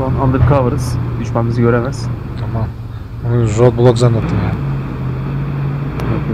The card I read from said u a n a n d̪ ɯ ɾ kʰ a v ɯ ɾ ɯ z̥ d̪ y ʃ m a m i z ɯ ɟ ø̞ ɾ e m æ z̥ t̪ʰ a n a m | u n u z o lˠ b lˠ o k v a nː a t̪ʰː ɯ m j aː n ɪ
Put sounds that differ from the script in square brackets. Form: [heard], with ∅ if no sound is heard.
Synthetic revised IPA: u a n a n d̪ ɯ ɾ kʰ a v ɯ ɾ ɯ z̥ d̪ y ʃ m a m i z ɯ ɟ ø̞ ɾ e m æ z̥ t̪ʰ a [m] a m | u n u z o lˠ b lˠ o k [z] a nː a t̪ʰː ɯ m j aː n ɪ